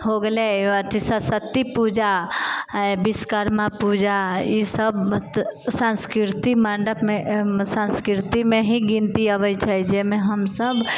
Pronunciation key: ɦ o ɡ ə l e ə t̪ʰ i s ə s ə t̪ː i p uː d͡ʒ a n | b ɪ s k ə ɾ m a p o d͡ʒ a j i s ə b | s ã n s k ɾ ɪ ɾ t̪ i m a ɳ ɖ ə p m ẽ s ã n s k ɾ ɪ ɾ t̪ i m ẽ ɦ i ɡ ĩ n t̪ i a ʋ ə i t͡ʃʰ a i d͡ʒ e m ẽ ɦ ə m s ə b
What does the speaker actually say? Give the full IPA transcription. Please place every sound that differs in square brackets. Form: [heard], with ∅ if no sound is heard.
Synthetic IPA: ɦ o ɡ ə l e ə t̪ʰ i s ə s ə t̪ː i p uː d͡ʒ a [∅] | b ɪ s k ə ɾ m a p [u] d͡ʒ a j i s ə b | s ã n s k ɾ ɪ ɾ t̪ i m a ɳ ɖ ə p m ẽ s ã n s k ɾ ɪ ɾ t̪ i m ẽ ɦ i ɡ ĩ n t̪ i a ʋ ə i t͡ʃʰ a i d͡ʒ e m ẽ ɦ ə m s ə b